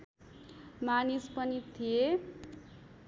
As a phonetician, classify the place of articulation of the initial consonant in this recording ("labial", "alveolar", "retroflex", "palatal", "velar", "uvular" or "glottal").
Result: labial